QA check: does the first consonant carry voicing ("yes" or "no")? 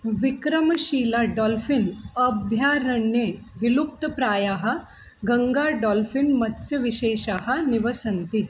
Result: yes